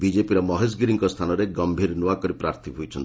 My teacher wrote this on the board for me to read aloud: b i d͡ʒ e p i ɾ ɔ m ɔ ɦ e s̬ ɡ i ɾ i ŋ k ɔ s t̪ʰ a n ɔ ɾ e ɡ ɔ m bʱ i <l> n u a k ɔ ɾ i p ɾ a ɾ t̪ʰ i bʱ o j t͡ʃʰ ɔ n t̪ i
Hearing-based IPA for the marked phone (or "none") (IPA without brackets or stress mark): ɾ